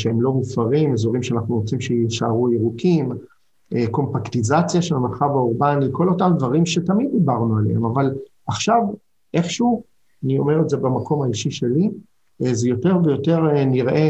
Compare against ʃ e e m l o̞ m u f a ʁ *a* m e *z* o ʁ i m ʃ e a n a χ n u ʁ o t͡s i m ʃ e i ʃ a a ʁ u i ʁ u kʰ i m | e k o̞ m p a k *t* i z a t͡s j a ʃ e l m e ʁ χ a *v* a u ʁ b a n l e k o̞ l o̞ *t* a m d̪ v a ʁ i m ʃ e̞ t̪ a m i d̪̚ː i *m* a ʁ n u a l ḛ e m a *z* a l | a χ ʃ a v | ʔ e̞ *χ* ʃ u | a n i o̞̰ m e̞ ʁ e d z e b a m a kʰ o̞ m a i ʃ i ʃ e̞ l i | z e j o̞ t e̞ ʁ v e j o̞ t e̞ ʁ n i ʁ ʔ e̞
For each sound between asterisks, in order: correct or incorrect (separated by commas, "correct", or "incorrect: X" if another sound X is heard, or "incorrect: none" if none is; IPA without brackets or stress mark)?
incorrect: i, correct, correct, correct, correct, incorrect: b, incorrect: v, correct